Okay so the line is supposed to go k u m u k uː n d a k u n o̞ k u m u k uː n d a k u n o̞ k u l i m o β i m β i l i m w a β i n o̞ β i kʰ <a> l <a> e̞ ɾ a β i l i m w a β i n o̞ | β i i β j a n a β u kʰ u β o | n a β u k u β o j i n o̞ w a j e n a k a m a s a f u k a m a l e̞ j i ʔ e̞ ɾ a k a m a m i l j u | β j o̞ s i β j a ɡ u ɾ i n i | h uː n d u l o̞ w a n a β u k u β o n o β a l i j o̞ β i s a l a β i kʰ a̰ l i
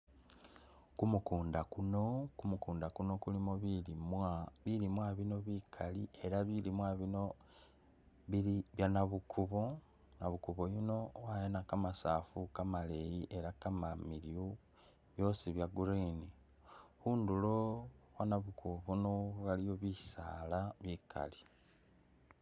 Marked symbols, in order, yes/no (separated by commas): yes, no